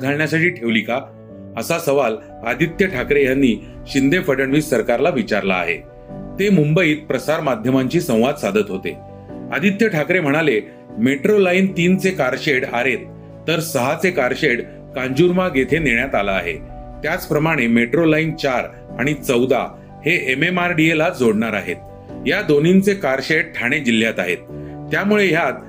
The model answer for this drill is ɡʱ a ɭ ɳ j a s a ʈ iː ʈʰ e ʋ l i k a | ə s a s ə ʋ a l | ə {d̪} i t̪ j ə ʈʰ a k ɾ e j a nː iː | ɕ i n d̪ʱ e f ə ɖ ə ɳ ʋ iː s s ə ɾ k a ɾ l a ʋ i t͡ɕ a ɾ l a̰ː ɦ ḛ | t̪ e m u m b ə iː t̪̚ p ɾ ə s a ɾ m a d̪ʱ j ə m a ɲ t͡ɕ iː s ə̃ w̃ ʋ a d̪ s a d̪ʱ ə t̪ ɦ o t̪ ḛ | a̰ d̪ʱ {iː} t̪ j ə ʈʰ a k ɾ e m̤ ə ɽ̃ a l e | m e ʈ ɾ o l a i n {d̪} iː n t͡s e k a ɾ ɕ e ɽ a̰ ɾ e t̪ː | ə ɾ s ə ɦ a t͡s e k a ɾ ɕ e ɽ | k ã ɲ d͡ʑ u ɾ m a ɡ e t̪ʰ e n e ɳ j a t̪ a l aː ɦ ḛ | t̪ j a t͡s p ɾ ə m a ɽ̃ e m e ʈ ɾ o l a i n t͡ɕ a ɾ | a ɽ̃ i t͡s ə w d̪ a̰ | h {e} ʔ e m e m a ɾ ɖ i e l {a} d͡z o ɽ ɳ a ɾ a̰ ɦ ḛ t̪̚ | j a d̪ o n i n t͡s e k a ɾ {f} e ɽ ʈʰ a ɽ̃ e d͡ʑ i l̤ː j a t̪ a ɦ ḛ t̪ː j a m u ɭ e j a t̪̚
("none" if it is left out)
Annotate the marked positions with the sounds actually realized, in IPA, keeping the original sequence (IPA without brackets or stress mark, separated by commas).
d̪, i, t̪, e, a, ɕ